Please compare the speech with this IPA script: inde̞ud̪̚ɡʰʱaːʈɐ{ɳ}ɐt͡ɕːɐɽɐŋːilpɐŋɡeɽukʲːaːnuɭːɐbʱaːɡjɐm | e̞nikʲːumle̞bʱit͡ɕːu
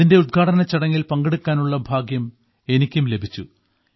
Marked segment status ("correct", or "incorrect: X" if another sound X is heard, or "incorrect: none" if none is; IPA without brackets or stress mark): incorrect: n